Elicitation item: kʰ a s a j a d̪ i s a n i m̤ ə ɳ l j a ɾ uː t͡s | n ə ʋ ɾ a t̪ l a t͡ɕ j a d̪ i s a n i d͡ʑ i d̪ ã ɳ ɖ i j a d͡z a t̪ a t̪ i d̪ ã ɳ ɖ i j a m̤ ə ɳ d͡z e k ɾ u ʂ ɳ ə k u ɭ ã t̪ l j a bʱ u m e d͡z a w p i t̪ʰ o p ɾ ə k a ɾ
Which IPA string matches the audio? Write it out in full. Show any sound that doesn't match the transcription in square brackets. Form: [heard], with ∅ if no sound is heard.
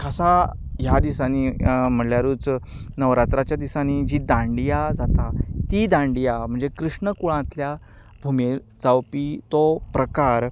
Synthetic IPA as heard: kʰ a s a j a d̪ i s a n i m̤ ə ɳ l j a ɾ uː t͡s | n ə ʋ ɾ a t̪ [ɾ] a t͡ɕ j a d̪ i s a n i d͡ʑ i d̪ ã ɳ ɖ i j a d͡z a t̪ a t̪ i d̪ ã ɳ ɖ i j a m̤ ə ɳ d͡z e k ɾ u ʂ ɳ ə k u ɭ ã t̪ l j a bʱ u m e d͡z a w p i [t̪] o p ɾ ə k a ɾ